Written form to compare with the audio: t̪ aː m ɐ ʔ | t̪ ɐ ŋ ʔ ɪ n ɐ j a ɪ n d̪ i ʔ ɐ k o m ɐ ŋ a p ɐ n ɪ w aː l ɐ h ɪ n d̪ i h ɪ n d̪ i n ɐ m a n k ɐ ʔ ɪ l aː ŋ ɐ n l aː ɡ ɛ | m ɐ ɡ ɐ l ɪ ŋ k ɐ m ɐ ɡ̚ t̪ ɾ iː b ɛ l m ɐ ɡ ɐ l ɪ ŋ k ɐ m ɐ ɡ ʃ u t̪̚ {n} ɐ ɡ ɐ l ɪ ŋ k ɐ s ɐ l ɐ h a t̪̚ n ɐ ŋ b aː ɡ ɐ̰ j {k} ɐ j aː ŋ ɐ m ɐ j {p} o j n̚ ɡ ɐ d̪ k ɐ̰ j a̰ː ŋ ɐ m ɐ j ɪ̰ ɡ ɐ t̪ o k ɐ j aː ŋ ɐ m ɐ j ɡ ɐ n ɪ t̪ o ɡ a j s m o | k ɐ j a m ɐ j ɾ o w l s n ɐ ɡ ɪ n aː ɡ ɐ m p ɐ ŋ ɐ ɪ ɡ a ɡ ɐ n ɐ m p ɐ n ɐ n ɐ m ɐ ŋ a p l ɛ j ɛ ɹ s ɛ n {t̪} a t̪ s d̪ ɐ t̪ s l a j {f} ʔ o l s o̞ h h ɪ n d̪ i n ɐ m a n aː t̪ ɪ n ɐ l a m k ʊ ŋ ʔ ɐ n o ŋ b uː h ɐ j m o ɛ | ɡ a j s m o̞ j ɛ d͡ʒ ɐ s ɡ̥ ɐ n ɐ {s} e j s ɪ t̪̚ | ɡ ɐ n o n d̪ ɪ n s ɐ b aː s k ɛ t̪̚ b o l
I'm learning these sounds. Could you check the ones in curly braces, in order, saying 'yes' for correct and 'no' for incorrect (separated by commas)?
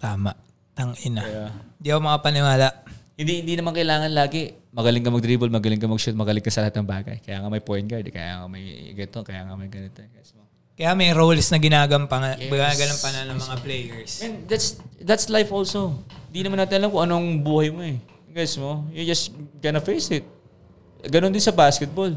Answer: no, yes, yes, no, yes, no